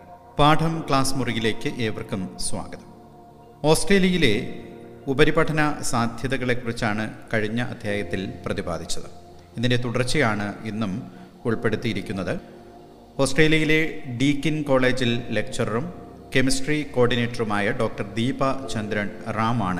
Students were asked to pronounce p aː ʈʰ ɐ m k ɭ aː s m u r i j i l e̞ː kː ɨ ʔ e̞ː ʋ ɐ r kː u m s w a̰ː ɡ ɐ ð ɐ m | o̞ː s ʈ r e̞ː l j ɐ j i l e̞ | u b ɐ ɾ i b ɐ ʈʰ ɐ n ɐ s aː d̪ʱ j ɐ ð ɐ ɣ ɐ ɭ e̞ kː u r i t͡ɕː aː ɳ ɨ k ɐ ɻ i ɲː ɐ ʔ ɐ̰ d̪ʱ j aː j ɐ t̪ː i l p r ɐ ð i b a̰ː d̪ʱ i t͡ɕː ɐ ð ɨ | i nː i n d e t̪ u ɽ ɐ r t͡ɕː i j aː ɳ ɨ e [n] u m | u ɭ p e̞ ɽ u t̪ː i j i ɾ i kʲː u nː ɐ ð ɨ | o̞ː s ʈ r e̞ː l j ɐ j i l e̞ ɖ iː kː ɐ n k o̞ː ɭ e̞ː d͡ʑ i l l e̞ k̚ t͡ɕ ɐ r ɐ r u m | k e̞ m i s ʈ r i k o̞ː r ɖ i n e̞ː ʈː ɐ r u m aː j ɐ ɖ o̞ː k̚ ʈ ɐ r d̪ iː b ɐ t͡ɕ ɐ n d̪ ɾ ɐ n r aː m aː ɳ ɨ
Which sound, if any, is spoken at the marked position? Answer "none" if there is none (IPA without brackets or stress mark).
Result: nː